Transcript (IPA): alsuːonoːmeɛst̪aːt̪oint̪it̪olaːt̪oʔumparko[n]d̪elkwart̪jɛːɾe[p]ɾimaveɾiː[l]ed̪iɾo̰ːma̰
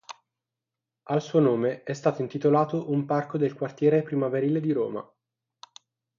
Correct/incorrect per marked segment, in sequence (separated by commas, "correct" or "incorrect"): incorrect, correct, correct